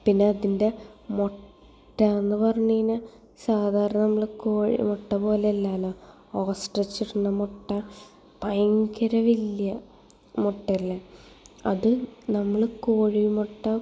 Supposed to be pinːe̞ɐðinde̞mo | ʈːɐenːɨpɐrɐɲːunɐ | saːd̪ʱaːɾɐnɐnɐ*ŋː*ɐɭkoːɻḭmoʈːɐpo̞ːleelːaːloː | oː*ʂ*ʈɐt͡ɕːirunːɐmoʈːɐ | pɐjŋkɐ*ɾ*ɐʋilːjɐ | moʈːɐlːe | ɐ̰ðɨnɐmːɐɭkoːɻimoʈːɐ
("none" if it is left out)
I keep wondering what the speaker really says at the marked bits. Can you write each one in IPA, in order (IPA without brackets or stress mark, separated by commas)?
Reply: mː, s, ɾ